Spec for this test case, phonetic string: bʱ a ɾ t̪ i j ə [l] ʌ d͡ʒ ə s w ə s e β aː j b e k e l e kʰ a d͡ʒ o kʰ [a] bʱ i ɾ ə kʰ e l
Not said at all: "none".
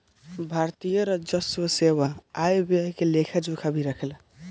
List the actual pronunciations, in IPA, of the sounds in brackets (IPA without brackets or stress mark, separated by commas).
ɾ, a